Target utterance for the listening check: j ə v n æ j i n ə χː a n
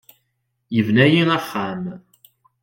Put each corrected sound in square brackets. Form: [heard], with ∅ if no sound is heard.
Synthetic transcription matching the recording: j ə v n æ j i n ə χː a [m]